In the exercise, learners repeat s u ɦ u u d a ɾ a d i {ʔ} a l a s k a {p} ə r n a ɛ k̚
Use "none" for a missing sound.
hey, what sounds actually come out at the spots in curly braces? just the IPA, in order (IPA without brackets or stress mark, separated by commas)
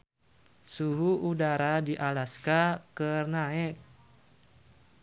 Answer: ʔ, k